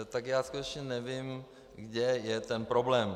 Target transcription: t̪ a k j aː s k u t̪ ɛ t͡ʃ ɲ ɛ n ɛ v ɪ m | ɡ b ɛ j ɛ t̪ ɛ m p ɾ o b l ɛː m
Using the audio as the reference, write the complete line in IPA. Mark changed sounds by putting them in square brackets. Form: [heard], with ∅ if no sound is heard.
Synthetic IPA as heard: t̪ a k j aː s k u t̪ ɛ t͡ʃ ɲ ɛ n ɛ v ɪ m | ɡ [d] ɛ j ɛ t̪ ɛ [n] p ɾ o b l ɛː m